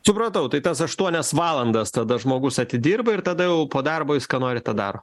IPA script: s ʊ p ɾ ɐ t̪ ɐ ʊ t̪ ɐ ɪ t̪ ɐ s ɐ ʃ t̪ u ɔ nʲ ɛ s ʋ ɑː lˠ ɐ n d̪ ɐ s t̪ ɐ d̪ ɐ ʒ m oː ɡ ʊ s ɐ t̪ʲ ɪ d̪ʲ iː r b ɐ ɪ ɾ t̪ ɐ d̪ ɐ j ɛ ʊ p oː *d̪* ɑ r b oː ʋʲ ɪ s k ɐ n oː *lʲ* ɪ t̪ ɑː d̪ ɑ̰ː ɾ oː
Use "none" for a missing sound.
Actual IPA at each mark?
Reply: d̪, ɾʲ

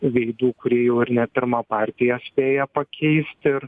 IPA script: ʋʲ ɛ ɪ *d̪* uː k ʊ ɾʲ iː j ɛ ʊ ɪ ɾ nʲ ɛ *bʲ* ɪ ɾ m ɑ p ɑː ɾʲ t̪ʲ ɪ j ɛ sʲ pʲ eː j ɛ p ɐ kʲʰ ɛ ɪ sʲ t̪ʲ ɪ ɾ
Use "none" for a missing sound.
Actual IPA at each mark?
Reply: d̪, pʲ

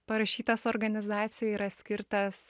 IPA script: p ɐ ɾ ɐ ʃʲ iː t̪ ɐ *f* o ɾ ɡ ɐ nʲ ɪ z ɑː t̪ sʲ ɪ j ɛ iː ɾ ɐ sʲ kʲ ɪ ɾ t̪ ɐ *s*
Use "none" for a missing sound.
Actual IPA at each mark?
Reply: s, s

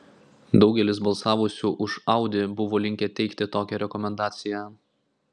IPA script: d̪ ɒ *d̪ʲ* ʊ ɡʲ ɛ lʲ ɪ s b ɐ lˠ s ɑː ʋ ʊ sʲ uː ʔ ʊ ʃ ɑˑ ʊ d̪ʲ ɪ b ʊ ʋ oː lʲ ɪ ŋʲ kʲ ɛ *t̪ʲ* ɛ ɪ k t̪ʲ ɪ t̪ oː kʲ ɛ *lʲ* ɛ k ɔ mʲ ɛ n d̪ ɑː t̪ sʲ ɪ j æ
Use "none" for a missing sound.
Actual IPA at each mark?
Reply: none, t̪ʲ, ɾʲ

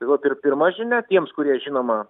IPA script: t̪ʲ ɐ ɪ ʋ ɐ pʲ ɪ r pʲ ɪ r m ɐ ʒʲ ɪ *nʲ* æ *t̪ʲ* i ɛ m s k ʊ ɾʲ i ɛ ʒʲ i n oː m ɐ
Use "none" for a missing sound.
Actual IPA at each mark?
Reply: nʲ, t̪ʲ

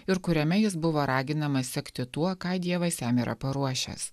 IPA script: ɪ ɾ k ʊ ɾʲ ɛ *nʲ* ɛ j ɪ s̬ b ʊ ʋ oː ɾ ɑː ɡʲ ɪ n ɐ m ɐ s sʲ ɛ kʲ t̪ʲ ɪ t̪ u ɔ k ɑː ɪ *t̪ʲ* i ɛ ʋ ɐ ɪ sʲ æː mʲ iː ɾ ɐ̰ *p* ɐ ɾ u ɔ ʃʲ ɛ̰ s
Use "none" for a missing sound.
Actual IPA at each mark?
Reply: mʲ, d̪ʲ, p

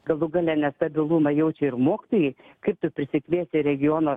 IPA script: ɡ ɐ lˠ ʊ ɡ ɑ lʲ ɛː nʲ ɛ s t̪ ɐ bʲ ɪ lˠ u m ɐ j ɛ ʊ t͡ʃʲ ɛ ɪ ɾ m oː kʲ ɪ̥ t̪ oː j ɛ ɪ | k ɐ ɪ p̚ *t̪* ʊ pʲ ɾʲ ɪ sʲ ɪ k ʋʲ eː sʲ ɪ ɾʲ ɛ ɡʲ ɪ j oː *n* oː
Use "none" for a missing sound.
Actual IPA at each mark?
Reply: t̪, n

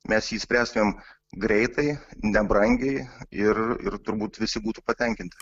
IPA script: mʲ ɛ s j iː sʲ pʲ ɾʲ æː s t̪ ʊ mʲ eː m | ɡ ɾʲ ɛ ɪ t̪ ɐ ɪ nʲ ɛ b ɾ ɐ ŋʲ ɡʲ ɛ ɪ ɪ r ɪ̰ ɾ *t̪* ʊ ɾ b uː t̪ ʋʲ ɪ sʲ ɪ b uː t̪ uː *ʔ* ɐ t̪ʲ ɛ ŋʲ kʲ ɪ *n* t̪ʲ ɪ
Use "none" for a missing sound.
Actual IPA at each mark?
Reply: t̪, p, n

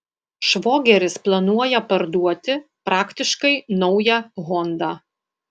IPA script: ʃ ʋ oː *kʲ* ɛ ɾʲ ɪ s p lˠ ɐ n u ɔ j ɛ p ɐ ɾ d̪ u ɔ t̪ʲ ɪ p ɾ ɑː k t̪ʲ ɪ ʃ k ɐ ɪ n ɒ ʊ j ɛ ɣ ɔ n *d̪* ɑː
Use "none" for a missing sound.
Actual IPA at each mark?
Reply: ɡʲ, d̪

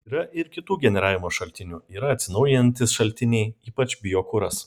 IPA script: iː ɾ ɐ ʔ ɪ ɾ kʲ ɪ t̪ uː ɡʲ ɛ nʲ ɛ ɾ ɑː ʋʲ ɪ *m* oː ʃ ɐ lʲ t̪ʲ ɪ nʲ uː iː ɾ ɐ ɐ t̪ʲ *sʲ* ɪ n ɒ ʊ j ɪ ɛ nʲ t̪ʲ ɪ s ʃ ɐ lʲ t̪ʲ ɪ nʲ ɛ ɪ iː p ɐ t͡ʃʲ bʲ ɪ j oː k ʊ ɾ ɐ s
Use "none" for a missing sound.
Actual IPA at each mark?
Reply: m, sʲ

